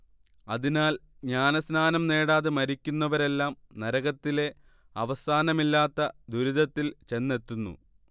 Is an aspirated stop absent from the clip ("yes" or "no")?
yes